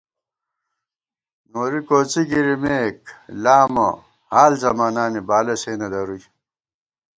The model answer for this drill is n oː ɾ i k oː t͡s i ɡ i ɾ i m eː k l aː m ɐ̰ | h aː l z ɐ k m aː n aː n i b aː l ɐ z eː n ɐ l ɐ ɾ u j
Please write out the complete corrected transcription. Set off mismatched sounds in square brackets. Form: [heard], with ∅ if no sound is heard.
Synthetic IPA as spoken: n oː ɾ i k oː t͡s i ɡ i ɾ i m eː k l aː m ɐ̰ | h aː l z ɐ [∅] m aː n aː n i b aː l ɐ [s] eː n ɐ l ɐ ɾ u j